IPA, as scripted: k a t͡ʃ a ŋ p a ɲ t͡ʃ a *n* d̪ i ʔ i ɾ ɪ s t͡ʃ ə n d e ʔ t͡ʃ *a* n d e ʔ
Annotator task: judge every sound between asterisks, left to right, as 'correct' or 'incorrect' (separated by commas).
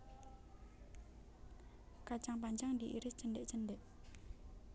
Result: incorrect, incorrect